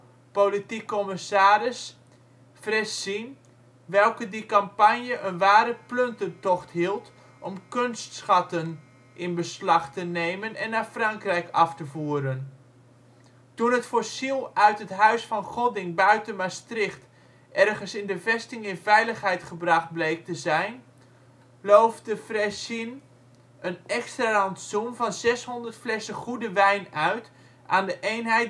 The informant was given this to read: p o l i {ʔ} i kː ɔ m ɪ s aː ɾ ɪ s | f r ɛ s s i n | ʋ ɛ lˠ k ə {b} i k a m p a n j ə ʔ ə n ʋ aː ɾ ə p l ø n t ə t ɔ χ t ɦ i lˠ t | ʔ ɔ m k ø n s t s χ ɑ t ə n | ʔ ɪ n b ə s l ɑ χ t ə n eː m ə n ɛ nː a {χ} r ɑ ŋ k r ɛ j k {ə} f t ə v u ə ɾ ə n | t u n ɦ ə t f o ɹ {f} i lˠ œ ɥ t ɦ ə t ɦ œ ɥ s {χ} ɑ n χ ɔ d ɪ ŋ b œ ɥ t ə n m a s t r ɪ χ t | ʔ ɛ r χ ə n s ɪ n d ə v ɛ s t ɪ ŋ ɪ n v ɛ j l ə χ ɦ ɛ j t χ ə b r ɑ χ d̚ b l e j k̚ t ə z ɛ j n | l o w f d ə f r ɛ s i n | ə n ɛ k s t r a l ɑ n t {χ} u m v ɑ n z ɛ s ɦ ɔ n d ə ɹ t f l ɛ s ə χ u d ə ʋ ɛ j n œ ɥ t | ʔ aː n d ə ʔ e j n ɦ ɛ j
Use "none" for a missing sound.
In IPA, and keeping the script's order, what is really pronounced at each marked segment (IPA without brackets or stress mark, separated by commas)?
t, d, f, ɑ, s, f, s